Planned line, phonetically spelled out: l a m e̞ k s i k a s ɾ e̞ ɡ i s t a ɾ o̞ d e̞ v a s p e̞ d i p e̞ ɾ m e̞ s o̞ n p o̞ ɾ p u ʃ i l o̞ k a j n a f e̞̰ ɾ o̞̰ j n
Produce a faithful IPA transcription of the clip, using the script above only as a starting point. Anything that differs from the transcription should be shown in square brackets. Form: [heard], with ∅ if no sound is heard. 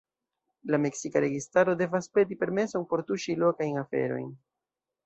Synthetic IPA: l a m e̞ k s i k a [∅] ɾ e̞ ɡ i s t a ɾ o̞ d e̞ v a s p e̞ d i p e̞ ɾ m e̞ s o̞ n p o̞ ɾ [t] u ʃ i l o̞ k a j n a f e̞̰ ɾ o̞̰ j n